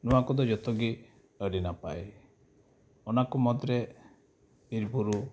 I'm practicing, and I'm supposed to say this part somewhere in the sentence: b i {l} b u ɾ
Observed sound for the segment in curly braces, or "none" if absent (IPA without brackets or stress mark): ɾ